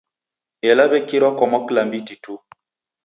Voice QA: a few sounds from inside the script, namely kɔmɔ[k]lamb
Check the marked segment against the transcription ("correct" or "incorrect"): correct